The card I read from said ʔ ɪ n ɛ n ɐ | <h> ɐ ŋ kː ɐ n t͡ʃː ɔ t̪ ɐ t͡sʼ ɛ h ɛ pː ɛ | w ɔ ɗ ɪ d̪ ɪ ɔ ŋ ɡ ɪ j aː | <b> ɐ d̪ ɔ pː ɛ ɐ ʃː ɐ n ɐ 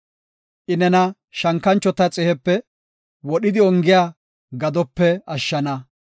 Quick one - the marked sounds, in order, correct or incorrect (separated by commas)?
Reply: incorrect, incorrect